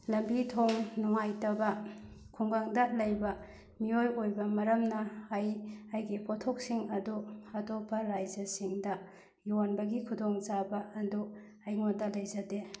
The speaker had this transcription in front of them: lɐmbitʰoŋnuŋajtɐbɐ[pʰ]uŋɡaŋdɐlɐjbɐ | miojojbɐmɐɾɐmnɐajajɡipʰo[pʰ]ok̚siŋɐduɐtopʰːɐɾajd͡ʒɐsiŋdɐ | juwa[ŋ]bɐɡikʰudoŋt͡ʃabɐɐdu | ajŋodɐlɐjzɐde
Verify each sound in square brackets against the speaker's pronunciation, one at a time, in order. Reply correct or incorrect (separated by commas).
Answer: incorrect, incorrect, incorrect